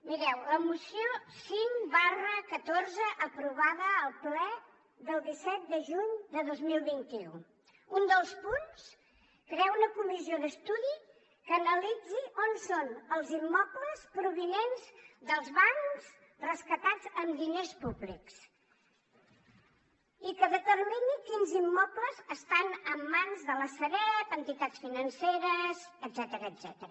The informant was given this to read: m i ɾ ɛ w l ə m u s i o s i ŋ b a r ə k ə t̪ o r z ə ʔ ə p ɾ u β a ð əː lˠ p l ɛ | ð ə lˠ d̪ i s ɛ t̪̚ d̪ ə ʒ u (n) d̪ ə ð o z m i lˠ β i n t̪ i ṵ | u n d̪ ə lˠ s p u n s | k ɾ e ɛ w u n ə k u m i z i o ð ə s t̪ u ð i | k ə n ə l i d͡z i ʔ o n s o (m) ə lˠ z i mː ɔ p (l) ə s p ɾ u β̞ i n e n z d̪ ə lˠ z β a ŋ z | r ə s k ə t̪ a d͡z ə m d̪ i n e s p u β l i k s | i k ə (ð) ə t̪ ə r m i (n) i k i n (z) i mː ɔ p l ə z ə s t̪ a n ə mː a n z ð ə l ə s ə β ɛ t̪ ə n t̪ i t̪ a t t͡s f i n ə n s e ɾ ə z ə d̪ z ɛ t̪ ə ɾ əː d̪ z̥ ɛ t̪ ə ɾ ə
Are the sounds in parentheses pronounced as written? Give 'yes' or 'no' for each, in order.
no, no, yes, yes, yes, yes

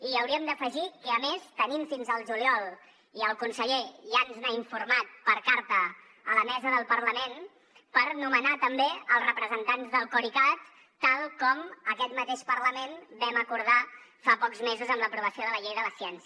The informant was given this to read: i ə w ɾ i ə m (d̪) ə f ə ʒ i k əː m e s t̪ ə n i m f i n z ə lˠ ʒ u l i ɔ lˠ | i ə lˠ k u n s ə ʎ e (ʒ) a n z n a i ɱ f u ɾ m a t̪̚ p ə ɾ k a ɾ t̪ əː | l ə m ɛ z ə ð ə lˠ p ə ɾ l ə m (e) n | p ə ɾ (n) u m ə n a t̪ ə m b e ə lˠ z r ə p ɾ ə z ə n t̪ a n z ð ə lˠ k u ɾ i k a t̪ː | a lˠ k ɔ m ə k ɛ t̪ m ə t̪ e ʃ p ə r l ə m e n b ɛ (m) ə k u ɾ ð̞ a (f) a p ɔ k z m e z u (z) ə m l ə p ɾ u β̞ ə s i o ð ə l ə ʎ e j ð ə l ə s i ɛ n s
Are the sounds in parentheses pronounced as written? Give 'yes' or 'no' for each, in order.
yes, yes, yes, yes, yes, yes, yes

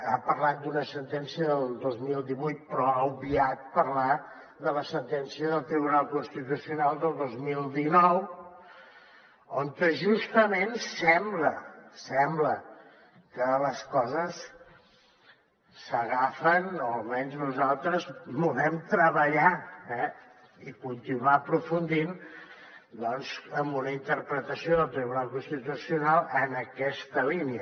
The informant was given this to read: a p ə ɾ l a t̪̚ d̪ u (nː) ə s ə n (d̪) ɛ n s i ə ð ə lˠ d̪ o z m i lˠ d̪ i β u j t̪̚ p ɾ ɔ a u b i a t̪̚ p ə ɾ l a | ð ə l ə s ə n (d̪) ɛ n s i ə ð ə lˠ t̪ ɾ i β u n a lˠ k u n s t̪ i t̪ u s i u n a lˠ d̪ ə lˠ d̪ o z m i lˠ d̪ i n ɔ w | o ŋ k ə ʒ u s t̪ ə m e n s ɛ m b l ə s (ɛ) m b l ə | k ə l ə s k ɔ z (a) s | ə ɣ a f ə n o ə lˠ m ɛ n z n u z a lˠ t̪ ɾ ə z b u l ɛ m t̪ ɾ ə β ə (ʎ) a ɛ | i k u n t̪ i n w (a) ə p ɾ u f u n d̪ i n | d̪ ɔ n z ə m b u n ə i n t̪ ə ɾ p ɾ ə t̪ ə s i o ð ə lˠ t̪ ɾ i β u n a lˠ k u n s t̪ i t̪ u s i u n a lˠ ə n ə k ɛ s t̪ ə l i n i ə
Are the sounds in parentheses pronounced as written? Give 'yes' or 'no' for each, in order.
no, no, no, yes, no, yes, yes

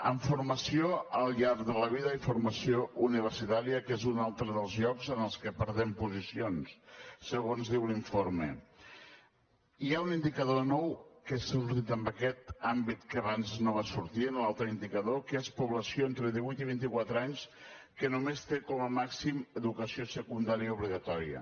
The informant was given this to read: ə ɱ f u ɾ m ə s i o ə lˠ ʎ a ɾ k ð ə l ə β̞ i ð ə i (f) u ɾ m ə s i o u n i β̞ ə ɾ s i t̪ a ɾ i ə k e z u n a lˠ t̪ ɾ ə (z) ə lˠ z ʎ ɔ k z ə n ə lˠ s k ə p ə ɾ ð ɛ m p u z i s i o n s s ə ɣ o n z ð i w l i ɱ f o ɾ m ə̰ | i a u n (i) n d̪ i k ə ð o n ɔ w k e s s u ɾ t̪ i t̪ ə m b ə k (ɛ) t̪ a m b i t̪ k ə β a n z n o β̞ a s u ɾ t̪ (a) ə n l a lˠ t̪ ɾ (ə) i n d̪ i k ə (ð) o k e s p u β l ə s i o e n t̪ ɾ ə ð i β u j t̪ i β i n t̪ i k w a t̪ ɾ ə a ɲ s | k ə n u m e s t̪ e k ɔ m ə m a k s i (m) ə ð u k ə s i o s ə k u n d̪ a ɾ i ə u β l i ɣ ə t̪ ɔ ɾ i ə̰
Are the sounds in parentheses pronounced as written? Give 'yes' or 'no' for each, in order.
yes, no, yes, yes, no, yes, yes, yes

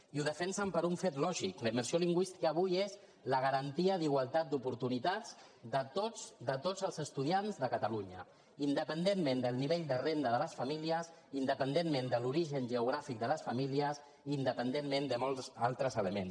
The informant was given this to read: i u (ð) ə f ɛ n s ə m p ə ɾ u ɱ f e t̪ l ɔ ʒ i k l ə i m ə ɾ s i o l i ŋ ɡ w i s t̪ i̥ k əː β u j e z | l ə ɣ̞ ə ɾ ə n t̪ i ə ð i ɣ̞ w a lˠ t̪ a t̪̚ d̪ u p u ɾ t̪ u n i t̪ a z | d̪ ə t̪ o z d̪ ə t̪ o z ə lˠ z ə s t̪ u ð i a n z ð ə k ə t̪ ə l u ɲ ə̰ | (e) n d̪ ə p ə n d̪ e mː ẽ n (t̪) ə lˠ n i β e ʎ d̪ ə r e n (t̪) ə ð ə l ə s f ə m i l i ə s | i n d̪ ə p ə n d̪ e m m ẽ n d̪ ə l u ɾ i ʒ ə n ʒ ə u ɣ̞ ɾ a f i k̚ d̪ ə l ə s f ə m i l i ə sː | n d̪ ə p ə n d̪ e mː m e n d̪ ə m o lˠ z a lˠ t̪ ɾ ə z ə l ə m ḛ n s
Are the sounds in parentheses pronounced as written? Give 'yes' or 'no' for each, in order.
yes, no, no, no

